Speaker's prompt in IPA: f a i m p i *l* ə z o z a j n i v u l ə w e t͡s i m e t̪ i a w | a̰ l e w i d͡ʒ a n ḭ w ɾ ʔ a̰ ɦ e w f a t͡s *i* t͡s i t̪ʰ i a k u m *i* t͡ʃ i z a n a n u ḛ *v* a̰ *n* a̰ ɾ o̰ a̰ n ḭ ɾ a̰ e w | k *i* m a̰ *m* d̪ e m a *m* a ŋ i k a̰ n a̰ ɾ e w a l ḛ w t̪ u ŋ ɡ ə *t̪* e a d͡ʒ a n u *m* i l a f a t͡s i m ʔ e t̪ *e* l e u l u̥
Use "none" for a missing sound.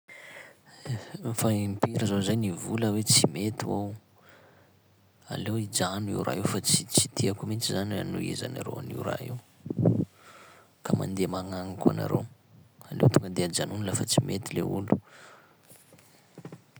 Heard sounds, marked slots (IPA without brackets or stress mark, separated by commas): ɾ, i, i, z, n, a, n, ŋ, d̪, n, i